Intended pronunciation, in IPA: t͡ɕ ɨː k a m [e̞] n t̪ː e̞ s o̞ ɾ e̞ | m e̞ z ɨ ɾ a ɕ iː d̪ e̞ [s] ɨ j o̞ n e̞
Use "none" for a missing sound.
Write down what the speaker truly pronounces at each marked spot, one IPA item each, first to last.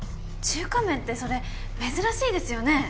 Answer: ẽ̞, s

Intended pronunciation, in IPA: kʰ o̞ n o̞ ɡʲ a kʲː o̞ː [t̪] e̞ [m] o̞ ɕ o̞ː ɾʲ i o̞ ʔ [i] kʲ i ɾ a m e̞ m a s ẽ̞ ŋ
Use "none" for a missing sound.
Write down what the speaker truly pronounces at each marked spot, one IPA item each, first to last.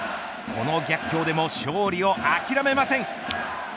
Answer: d̪, m, a

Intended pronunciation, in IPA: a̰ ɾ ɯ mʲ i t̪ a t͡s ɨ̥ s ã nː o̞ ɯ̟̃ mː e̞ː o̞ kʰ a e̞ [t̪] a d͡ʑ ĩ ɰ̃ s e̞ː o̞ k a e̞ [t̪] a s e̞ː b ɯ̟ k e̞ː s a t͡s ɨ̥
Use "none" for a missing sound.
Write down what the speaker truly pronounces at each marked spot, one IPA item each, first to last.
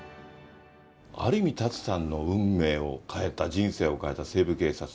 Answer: t̪, t̪

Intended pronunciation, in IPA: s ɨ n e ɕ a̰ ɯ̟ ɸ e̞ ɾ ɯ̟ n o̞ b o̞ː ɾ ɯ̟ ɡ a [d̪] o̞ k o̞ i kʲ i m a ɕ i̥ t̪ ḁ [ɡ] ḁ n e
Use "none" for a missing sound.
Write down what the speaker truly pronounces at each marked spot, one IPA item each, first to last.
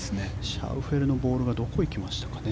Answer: d̪, k

